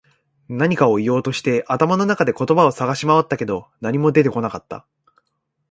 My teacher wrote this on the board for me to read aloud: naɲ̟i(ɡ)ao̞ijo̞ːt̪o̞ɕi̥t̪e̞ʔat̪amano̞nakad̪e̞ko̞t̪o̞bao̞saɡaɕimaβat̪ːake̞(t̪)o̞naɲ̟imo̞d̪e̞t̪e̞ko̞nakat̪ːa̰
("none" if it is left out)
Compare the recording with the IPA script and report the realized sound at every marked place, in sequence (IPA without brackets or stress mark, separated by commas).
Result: k, d̪